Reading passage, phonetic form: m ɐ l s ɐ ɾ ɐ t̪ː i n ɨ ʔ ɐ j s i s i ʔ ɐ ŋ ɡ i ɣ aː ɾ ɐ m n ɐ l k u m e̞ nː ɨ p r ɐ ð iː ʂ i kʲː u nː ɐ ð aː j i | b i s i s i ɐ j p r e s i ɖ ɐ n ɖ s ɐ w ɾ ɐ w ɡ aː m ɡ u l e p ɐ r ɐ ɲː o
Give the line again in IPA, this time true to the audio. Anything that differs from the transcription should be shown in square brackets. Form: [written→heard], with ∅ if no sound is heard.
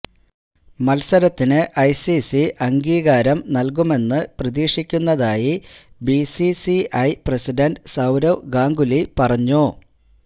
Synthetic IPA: m ɐ l s ɐ ɾ ɐ t̪ː i n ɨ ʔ ɐ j s i s i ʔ ɐ ŋ ɡ [i→iː] ɣ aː ɾ ɐ m n ɐ l k u m e̞ nː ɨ p r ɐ ð iː ʂ i kʲː u nː ɐ ð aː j i | b i s i s i ɐ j p r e s i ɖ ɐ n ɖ s ɐ w ɾ ɐ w ɡ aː [m→ŋ] ɡ u l [e→i] p ɐ r ɐ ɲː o